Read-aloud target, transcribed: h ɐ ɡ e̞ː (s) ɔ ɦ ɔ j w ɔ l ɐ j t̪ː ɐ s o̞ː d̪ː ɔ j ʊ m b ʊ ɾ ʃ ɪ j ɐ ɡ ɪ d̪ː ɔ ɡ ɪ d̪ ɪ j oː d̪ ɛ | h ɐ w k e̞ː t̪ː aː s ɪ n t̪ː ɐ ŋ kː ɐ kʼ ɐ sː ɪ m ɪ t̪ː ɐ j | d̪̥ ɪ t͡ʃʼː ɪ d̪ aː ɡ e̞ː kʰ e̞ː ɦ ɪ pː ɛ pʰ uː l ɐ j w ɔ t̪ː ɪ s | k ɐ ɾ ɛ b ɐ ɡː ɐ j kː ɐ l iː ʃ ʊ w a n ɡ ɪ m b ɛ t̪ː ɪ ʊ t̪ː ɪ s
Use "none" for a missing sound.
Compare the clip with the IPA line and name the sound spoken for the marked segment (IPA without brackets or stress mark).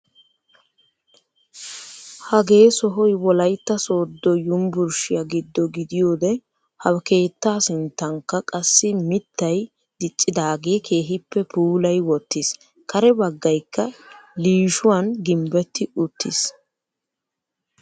s